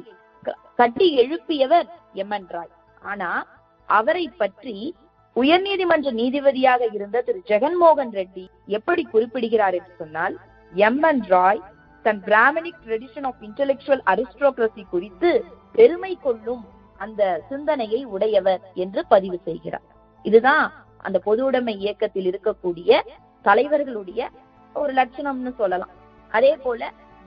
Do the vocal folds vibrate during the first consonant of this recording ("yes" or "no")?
no